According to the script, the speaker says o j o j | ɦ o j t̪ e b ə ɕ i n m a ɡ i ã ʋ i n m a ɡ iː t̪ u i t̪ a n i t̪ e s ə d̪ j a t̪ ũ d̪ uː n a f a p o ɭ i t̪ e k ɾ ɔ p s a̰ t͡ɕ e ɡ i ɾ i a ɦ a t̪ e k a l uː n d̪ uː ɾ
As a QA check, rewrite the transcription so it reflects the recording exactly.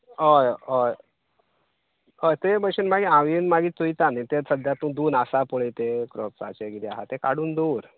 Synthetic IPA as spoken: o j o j | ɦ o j t̪ e b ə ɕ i n m a ɡ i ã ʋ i n m a ɡ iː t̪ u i t̪ a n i t̪ e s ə d̪ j a t̪ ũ d̪ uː n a s a p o ɭ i t̪ e k ɾ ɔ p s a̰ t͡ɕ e ɡ i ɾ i a ɦ a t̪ e k a ɽ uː n d̪ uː ɾ